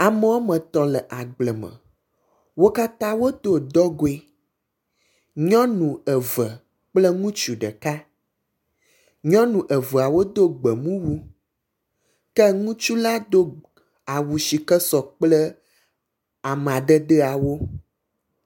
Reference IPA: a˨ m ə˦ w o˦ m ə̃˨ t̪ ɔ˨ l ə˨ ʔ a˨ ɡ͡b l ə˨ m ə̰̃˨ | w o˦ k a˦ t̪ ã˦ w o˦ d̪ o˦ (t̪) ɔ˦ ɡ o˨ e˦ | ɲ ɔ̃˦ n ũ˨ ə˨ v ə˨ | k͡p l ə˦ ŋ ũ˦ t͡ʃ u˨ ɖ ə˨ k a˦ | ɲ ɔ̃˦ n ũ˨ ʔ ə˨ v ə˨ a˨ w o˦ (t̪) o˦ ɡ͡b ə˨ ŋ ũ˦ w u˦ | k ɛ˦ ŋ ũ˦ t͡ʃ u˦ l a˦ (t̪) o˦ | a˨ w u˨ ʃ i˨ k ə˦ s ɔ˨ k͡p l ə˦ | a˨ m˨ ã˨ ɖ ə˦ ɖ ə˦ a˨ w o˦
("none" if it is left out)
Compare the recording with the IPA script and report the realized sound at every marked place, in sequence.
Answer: d̪, d̪, d̪

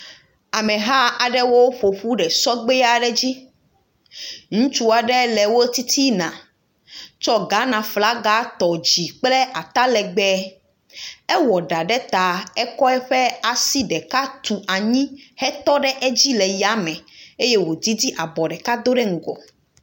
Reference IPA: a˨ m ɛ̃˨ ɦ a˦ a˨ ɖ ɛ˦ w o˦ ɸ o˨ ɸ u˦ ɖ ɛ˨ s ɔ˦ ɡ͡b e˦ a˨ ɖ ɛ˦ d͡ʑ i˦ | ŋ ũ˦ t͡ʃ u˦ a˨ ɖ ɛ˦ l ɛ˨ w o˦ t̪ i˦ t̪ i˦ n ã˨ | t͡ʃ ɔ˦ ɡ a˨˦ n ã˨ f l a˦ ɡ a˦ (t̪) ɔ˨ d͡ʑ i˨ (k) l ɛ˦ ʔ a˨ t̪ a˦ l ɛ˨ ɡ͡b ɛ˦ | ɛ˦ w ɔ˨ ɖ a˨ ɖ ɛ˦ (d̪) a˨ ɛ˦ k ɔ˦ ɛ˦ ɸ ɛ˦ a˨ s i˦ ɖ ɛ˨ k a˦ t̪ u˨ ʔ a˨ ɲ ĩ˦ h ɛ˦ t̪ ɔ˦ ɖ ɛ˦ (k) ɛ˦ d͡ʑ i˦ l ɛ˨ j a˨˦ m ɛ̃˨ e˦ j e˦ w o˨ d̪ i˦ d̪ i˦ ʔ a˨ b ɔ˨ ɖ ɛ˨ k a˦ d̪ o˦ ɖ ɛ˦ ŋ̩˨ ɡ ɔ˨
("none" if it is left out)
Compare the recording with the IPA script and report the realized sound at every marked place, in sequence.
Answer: t̪, k͡p, t̪, ʔ

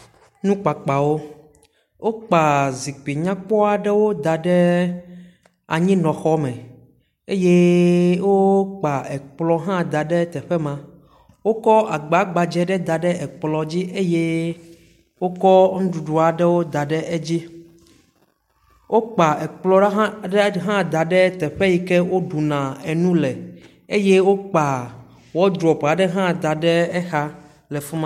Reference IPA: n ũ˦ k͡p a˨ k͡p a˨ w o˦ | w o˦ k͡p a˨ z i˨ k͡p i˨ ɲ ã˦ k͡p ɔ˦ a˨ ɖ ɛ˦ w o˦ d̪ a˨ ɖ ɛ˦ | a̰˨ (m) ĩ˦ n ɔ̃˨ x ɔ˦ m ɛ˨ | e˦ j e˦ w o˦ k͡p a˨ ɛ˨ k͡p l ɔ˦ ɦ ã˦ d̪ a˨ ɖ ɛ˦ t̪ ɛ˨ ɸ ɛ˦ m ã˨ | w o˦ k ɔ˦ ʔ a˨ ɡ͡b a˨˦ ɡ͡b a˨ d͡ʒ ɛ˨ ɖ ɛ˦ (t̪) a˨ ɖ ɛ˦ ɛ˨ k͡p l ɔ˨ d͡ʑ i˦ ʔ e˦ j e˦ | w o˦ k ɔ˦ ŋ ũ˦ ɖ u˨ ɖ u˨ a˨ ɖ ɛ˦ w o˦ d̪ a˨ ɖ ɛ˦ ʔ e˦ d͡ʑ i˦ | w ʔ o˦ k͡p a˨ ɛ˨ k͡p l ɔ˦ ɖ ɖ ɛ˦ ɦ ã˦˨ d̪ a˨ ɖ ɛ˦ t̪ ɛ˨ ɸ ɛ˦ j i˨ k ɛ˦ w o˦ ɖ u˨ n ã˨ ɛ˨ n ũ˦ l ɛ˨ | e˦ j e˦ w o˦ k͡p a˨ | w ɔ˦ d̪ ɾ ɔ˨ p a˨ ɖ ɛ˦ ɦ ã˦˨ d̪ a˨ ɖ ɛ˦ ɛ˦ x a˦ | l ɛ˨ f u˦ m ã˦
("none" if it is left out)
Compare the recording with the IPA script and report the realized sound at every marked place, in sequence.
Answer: ɲ, d̪

